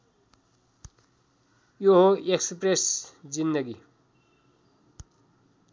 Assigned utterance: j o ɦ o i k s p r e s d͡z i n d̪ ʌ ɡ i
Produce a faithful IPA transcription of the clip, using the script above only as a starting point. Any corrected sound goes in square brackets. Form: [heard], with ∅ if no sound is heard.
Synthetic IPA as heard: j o ɦ o [e] k s p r e s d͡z i n d̪ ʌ ɡ i